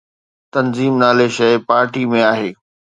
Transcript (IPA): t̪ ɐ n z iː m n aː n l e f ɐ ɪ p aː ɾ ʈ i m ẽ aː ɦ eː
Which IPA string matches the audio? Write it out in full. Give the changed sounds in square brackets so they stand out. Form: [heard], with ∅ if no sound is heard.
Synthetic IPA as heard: t̪ ɐ n z iː m n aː [∅] l e [ʃ] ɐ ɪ p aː ɾ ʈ i m ẽ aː ɦ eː